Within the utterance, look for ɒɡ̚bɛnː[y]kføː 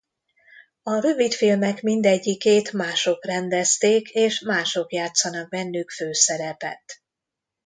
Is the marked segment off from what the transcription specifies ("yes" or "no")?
no